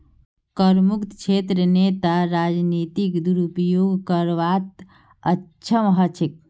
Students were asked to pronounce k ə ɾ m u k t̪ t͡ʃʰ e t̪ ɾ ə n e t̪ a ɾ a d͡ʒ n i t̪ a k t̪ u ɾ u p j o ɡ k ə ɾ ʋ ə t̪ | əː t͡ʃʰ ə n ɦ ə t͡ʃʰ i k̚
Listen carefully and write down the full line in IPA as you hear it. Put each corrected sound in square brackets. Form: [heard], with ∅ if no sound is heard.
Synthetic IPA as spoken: k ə ɾ m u k t̪ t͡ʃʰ e t̪ ɾ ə n e t̪ a ɾ a d͡ʒ n i t̪ [i] k [d̪] u ɾ u p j o ɡ k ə ɾ ʋ [a] t̪ | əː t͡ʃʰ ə [m] ɦ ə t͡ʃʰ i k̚